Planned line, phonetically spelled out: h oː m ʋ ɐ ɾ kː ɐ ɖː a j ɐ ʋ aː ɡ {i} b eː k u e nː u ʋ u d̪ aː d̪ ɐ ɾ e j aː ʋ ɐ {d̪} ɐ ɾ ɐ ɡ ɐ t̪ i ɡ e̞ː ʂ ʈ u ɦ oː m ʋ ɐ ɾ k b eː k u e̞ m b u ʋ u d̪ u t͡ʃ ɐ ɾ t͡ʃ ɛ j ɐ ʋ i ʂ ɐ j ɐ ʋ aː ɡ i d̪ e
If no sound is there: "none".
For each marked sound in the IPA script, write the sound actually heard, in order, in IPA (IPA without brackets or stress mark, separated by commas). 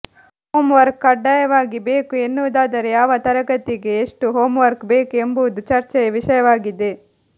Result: i, t̪